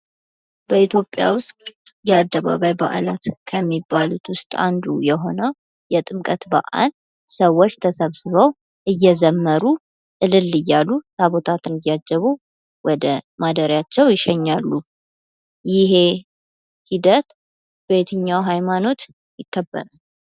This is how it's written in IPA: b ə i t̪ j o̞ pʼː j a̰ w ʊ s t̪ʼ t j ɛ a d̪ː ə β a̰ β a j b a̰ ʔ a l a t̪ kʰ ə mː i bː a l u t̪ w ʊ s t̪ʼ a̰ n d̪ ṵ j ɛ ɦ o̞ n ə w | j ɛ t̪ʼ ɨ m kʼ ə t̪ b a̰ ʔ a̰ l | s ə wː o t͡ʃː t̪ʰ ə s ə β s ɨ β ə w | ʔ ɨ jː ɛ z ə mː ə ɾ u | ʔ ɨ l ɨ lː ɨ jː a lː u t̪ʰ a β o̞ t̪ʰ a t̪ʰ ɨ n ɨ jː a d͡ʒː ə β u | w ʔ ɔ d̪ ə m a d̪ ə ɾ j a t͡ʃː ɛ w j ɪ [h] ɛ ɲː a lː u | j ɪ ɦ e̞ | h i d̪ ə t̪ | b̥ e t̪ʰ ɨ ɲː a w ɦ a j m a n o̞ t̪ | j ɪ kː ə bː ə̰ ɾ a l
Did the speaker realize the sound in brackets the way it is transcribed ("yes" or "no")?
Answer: no